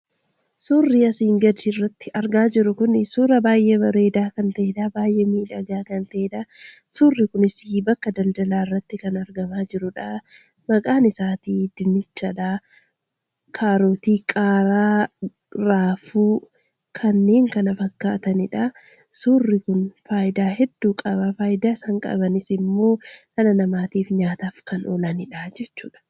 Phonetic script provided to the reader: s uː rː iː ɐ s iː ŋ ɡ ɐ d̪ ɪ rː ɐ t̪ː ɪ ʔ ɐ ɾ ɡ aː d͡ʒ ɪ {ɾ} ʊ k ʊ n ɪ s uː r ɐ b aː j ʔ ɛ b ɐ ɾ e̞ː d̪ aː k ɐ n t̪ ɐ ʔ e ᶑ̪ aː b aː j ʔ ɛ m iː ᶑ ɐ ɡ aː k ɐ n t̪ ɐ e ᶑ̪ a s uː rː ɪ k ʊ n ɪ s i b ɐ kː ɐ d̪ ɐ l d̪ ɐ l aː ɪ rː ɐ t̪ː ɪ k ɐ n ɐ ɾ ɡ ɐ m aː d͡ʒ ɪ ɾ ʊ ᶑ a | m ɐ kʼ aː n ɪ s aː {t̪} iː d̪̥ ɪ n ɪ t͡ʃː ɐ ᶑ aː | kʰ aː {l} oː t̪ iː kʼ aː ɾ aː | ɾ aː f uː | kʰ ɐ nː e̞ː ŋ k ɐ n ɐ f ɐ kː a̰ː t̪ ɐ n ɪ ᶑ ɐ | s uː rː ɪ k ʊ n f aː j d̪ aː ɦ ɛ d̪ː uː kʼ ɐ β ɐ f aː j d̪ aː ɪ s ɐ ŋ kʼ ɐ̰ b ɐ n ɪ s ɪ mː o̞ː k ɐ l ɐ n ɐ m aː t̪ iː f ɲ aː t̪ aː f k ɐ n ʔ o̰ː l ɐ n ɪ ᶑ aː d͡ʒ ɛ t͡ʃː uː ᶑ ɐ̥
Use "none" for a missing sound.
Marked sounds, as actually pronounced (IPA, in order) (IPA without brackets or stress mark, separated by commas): ɾ, t̪, ɾ